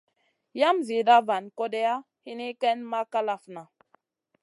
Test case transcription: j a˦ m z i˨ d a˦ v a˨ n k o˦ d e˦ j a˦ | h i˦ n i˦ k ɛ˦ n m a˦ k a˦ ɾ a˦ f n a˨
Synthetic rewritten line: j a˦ m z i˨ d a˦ v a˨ n k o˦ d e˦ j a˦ | h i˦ n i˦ k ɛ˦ n m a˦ k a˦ l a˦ f n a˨